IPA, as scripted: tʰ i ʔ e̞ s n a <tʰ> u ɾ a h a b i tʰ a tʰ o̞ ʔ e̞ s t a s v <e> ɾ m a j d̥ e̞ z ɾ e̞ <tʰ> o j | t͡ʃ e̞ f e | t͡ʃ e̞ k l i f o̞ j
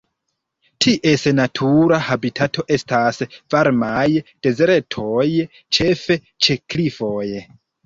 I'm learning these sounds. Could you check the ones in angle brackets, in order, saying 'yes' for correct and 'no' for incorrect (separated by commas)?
yes, no, yes